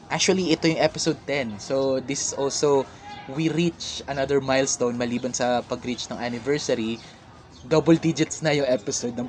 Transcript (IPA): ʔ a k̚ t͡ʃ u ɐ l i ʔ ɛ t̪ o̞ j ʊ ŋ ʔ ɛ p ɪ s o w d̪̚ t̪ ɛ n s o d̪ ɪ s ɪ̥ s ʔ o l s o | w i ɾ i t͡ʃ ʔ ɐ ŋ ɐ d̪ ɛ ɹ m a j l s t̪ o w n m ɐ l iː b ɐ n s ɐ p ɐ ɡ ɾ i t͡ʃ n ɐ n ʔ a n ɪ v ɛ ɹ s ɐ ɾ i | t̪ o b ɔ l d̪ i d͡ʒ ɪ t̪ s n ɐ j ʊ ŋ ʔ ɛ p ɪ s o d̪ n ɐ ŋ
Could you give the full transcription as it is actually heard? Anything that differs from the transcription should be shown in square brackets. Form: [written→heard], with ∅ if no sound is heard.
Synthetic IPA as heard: ʔ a k̚ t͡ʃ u ɐ l i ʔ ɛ t̪ o̞ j ʊ ŋ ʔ ɛ p ɪ s o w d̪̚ t̪ ɛ n s o d̪ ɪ s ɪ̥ s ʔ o l s o | w i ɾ i t͡ʃ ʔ ɐ [ŋ→n] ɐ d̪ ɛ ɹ m a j l s t̪ o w n m ɐ l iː b ɐ n s ɐ p ɐ ɡ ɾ i t͡ʃ n ɐ [n→ŋ] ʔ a n ɪ v ɛ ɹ s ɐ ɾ i | [t̪→d̪] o b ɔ l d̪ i d͡ʒ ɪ t̪ s n ɐ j ʊ ŋ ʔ ɛ p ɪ s o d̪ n ɐ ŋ